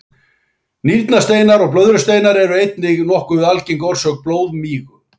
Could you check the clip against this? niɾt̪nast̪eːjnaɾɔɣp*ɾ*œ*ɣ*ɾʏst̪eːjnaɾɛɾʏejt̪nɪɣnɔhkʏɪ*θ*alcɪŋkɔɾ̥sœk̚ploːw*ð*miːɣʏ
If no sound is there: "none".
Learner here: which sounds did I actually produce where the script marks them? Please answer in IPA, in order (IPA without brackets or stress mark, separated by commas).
l, ð, ð, ð